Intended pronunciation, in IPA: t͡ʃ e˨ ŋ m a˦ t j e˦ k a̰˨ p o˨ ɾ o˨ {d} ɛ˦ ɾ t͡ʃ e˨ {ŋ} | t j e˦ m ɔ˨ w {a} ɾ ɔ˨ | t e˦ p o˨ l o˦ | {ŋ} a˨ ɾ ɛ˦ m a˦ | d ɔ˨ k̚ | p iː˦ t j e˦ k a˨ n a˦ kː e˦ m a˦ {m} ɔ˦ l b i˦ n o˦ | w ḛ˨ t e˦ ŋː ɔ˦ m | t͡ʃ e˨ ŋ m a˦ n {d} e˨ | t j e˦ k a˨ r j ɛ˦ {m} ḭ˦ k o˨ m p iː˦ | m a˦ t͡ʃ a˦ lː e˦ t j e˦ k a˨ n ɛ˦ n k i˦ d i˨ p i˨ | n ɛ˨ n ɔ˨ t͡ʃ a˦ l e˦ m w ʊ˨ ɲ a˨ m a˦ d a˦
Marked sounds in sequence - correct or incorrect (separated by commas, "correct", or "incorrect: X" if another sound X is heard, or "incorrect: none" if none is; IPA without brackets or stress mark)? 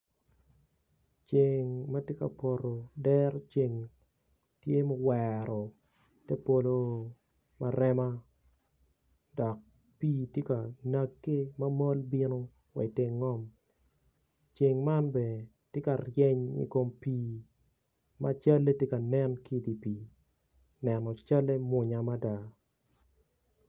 correct, correct, incorrect: ɛ, incorrect: m, correct, incorrect: b, incorrect: ɲ